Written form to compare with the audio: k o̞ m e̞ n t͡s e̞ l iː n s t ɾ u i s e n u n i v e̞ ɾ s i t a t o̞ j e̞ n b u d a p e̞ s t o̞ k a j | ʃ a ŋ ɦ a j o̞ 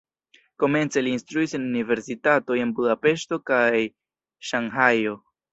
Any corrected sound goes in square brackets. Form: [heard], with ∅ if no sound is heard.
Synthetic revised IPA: k o̞ m e̞ n t͡s e̞ l iː n s t ɾ u i s e n u n i v e̞ ɾ s i t a t o̞ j e̞ n b u d a p e̞ [ʃ] t o̞ k a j | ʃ a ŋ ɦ a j o̞